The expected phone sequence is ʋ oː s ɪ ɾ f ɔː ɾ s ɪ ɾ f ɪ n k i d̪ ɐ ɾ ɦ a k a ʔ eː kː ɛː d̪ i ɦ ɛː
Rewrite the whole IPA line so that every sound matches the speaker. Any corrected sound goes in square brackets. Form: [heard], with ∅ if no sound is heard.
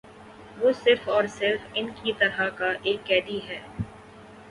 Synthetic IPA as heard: ʋ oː s ɪ ɾ f ɔː ɾ s ɪ ɾ f ɪ n k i [t̪] ɐ ɾ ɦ a k a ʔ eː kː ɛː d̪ i ɦ ɛː